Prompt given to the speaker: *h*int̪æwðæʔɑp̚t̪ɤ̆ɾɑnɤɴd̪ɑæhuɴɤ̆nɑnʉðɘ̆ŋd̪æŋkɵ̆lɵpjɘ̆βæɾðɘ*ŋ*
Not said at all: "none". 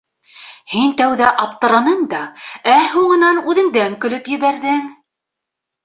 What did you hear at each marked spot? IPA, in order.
h, ŋ

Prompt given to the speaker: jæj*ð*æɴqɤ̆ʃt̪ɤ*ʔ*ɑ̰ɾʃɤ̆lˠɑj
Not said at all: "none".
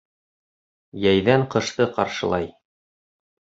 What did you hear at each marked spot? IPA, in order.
ð, q

